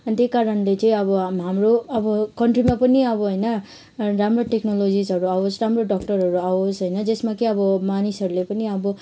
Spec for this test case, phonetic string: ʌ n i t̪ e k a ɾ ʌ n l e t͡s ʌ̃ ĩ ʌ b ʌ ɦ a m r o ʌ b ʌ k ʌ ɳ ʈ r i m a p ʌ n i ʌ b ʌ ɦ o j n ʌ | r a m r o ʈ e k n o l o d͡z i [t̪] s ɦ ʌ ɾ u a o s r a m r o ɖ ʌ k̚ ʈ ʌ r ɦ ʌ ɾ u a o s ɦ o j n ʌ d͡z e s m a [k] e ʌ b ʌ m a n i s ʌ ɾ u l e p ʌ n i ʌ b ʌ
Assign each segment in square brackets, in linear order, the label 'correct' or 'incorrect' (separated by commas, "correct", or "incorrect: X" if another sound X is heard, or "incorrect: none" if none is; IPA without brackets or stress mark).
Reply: incorrect: none, correct